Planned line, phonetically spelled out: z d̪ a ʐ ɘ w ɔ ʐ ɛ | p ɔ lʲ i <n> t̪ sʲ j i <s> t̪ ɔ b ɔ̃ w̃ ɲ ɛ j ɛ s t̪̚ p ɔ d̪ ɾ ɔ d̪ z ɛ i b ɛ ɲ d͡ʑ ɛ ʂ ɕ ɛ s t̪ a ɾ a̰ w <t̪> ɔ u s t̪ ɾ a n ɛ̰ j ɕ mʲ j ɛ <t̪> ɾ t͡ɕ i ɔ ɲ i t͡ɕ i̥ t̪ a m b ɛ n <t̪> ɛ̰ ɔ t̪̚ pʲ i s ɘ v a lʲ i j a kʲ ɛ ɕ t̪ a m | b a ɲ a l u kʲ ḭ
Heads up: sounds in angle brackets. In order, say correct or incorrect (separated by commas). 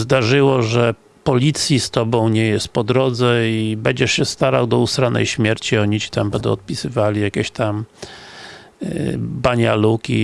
incorrect, correct, incorrect, incorrect, incorrect